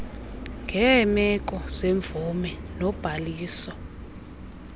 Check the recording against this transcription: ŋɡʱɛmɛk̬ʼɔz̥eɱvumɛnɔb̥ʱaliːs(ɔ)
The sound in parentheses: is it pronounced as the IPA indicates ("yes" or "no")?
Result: yes